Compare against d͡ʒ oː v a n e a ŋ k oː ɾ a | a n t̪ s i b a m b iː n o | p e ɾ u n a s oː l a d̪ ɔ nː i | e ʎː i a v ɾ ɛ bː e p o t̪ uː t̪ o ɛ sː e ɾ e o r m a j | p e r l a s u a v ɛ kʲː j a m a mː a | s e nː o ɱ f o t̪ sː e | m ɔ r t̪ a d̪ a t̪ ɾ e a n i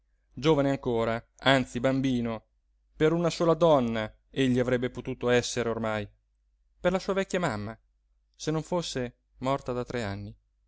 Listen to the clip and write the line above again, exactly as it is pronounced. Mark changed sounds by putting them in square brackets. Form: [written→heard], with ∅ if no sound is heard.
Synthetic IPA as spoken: d͡ʒ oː v a n e a ŋ k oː ɾ a | a n t̪ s i b a m b iː n o | p e ɾ u n a s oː l a d̪ ɔ nː [i→a] | e ʎː i a v ɾ ɛ bː e p o t̪ uː t̪ o ɛ sː e ɾ e o r m a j | p e r l a s [u→uː] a v ɛ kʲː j a m a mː a | s e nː o ɱ f o [t̪→∅] sː e | m ɔ r t̪ a d̪ a t̪ ɾ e a [n→nː] i